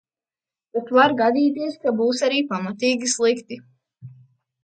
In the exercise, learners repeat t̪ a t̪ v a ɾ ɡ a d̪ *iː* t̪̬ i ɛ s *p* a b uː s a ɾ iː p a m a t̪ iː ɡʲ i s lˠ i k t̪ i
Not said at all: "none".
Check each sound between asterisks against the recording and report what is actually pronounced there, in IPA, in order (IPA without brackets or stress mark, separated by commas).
iː, k